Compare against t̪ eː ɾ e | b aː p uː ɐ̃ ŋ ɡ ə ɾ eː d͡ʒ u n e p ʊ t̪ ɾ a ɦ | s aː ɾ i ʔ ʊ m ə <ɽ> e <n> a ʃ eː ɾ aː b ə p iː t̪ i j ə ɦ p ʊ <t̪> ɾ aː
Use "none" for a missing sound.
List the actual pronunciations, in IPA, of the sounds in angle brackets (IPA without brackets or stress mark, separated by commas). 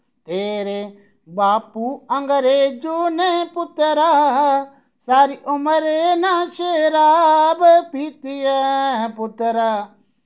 ɾ, n, t̪